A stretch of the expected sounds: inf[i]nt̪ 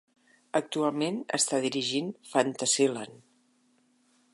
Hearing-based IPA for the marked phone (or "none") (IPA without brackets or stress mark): a